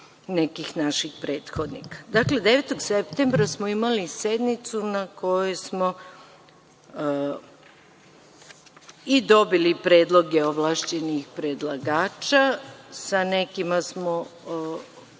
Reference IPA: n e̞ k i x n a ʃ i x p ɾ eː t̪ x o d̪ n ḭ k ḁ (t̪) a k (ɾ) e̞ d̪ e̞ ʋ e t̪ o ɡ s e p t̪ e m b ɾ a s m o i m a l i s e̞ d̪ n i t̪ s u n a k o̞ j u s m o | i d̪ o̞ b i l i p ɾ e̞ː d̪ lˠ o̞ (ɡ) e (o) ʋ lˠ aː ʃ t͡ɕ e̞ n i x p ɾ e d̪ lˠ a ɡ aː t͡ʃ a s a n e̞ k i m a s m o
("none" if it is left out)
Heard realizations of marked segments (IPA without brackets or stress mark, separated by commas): d̪, l, ɡ, o